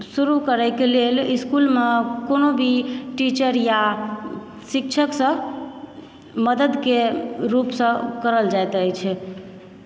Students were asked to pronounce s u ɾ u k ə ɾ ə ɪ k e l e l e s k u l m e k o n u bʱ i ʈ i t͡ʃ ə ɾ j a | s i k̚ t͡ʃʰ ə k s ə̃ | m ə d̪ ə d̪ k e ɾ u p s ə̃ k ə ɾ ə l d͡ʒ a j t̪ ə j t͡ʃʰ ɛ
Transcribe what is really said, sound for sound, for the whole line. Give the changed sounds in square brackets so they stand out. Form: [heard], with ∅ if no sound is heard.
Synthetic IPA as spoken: s u ɾ u k ə ɾ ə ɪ k e l e l [i] s k u l m e k o n [o] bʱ i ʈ i t͡ʃ ə ɾ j a | s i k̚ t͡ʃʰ ə k s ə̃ | m ə d̪ ə d̪ k e ɾ u p s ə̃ k ə ɾ ə l d͡ʒ a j t̪ ə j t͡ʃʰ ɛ